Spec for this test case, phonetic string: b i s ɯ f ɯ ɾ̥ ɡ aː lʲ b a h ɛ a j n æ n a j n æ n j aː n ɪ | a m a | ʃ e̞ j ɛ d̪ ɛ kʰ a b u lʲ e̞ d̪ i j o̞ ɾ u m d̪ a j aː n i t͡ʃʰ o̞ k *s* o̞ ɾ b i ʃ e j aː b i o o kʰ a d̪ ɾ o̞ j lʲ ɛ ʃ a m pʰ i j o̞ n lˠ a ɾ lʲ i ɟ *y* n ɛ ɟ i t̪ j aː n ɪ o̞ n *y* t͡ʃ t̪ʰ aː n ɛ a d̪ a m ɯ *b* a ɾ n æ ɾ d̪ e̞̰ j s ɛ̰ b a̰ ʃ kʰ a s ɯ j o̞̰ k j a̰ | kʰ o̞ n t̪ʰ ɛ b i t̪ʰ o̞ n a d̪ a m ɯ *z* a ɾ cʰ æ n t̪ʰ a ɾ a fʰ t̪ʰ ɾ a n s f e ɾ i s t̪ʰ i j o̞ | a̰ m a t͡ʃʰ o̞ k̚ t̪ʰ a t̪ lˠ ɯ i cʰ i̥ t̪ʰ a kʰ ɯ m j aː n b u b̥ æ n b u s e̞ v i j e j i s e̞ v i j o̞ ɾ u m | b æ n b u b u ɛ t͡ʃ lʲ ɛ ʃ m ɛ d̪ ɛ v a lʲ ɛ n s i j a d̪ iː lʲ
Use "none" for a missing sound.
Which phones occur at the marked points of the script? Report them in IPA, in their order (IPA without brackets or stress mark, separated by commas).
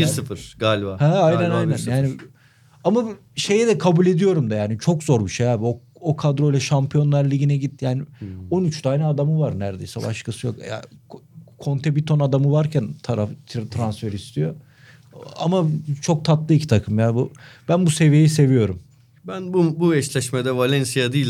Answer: z, i, y, v, v